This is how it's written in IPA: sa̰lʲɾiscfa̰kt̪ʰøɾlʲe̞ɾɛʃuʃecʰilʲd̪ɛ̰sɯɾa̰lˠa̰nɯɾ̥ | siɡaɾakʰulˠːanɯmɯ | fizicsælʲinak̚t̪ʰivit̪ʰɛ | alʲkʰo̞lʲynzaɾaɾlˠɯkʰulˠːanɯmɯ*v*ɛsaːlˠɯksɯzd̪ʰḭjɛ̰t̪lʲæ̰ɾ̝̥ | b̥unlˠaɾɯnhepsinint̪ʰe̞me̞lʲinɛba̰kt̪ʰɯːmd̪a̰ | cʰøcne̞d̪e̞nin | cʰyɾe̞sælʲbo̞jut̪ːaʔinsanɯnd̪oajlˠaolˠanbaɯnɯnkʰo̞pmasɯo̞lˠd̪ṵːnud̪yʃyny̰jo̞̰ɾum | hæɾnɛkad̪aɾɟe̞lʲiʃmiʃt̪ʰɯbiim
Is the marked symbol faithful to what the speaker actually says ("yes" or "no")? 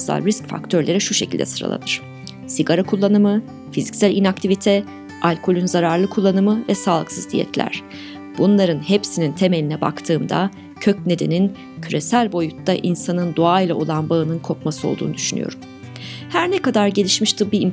yes